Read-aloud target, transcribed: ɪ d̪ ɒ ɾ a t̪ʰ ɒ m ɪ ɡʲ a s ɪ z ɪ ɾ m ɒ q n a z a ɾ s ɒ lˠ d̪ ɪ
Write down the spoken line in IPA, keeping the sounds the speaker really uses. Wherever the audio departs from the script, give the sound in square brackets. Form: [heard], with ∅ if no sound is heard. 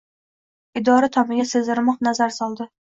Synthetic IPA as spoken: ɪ d̪ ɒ ɾ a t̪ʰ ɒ m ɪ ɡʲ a s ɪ z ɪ ɾ m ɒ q n a z a ɾ s ɒ lˠ d̪ ɪ

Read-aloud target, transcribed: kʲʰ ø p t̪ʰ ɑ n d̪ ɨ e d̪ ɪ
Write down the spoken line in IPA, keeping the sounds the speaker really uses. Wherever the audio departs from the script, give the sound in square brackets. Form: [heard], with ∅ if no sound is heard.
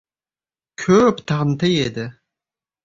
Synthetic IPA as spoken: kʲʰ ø p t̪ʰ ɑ n [t̪] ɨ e d̪ ɪ

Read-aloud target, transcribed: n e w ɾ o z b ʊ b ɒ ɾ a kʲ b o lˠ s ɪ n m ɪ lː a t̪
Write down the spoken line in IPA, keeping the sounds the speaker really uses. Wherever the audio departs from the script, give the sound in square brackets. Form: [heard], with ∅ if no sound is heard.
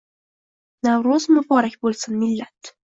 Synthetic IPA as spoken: n [a] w ɾ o z [m] ʊ b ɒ ɾ a kʲ b o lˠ s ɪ n m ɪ lː a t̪

